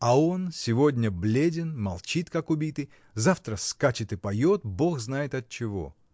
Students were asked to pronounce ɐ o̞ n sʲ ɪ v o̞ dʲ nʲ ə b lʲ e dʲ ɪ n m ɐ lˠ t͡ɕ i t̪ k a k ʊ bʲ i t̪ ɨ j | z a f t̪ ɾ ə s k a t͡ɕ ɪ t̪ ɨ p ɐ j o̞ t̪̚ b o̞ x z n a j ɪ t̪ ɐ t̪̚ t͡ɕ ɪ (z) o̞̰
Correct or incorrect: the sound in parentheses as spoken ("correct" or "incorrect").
incorrect